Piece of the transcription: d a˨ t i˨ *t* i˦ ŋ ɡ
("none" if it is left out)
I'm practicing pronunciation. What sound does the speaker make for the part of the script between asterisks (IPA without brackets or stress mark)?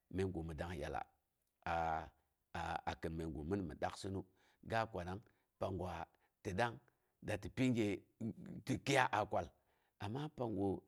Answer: p